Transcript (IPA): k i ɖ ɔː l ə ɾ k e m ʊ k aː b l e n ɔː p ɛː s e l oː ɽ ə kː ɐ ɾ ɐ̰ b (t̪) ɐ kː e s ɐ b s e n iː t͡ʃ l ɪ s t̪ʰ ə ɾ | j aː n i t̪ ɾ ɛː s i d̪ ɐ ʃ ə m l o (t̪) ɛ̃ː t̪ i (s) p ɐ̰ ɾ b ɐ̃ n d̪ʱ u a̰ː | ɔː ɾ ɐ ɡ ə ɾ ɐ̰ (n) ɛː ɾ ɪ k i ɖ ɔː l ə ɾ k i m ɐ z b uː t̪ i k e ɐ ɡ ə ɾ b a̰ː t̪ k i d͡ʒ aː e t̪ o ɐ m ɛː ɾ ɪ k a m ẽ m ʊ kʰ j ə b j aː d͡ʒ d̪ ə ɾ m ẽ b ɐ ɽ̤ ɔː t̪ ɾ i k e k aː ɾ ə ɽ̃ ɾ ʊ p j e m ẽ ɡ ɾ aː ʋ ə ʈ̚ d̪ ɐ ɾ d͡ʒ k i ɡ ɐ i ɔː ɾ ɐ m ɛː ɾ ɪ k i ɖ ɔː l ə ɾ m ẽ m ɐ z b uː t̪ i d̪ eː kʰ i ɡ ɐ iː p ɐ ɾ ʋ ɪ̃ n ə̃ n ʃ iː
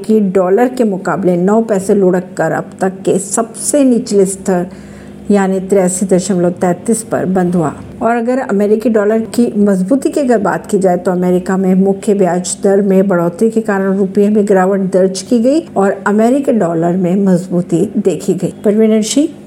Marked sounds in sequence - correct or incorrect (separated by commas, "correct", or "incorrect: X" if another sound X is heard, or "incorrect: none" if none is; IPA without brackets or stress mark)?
correct, correct, correct, incorrect: m